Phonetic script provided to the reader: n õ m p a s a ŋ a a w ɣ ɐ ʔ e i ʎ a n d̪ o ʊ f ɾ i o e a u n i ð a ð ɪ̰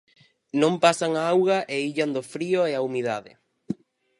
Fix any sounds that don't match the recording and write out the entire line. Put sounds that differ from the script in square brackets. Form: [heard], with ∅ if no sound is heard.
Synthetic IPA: n õ m p a s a ŋ a a w ɣ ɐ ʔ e i ʎ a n d̪ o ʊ f ɾ i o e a u [m] i ð a ð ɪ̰